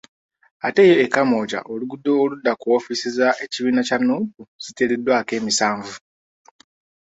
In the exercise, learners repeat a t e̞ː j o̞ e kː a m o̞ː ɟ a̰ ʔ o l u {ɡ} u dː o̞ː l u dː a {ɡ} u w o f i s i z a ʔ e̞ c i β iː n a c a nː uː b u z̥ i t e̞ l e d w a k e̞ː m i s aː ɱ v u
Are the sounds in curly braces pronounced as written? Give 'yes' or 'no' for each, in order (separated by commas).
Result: yes, no